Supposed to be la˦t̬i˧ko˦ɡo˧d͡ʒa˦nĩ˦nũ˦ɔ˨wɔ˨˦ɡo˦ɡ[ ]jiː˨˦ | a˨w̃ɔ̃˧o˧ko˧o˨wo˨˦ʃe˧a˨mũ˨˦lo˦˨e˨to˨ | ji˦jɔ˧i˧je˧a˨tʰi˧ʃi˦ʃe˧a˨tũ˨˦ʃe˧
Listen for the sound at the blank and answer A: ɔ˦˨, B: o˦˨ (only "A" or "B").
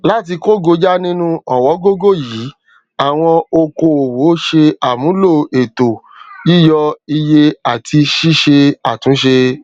B